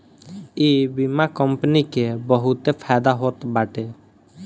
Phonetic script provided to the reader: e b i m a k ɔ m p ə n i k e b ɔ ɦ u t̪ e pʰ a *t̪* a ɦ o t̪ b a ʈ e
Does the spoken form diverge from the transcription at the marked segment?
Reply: yes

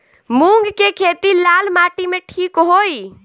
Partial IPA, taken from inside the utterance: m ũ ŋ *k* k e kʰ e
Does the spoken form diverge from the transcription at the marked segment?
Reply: yes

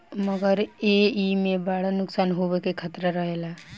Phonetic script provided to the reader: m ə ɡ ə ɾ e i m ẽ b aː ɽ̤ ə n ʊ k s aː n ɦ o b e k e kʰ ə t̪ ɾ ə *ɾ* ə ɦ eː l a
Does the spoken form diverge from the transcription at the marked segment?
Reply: no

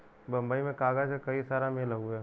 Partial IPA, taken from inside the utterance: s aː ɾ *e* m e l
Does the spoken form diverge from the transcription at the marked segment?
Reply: yes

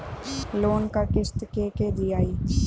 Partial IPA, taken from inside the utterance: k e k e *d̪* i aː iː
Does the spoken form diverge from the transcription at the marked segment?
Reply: no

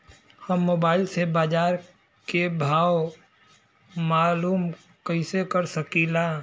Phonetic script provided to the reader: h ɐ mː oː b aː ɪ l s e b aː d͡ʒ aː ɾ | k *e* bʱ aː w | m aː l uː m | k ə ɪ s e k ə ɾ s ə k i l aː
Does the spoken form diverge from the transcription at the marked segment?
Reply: no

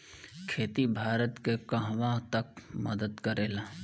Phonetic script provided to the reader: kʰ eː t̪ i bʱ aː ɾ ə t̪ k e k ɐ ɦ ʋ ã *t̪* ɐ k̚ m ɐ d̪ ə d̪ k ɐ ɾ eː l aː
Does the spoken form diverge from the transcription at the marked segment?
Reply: no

